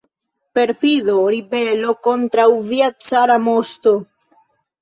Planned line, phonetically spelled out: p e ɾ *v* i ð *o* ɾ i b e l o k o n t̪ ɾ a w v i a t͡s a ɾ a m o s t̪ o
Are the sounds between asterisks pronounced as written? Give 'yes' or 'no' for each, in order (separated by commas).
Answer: no, yes